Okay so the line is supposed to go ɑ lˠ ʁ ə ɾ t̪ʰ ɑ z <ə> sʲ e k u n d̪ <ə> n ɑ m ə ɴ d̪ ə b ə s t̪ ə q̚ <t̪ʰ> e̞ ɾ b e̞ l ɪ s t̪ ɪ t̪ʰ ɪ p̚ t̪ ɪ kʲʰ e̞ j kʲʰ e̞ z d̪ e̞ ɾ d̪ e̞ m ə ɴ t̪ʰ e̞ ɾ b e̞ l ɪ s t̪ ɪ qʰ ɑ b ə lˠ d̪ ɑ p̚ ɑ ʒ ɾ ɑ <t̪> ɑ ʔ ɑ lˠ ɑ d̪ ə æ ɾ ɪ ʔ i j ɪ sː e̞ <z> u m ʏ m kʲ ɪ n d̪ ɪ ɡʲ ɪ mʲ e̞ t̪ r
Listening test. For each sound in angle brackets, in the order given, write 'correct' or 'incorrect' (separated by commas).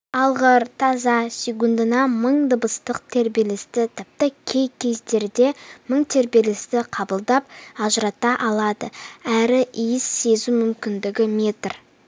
incorrect, correct, correct, correct, correct